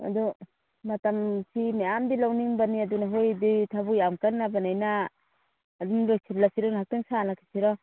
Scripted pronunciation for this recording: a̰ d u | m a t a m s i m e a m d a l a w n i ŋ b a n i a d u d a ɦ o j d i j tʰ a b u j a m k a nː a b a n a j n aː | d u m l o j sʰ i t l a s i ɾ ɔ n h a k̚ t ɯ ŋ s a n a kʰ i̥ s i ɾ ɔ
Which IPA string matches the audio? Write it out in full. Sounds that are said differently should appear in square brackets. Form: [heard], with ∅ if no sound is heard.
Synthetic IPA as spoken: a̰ d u | m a t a m s i m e a m d [i] l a w n i ŋ b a n i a d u [n] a ɦ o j d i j tʰ a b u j a m k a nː a b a n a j n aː | d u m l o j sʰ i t l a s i ɾ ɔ n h a k̚ t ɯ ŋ s a n a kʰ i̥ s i ɾ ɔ